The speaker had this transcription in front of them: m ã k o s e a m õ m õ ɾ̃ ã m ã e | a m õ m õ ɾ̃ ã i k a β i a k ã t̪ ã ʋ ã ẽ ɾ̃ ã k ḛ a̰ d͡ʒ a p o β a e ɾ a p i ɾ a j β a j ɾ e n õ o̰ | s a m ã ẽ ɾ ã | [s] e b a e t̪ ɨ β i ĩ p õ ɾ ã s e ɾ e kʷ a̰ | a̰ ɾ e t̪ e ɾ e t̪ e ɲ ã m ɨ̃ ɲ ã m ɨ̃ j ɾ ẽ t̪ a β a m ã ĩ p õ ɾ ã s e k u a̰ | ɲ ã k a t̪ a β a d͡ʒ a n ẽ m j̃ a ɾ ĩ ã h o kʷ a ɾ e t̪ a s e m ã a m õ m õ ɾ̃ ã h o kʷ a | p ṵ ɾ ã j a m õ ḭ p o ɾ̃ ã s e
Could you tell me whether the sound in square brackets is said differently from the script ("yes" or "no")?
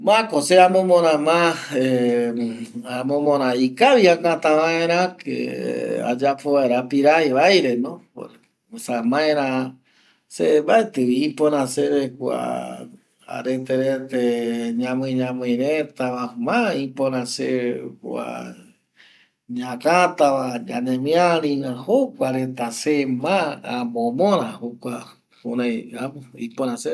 no